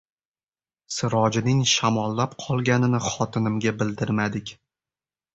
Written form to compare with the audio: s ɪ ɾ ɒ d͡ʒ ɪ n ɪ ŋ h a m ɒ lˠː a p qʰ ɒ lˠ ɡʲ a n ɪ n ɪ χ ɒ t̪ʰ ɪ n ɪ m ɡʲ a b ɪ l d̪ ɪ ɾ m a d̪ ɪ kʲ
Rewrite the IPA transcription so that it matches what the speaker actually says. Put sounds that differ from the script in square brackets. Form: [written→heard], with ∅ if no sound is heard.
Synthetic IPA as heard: s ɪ ɾ ɒ d͡ʒ ɪ n ɪ ŋ [h→ʃ] a m ɒ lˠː a p qʰ ɒ lˠ ɡʲ a n ɪ n ɪ χ ɒ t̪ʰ ɪ n ɪ m ɡʲ a b ɪ l d̪ ɪ ɾ m a d̪ ɪ kʲ